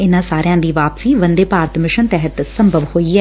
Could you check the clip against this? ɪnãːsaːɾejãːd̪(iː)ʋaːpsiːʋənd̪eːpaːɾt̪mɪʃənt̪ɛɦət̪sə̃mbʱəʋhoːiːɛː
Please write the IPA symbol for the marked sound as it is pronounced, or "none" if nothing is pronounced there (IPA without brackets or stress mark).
iː